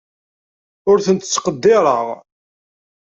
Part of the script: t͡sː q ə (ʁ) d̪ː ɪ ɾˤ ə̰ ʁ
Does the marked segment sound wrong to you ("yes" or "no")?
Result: yes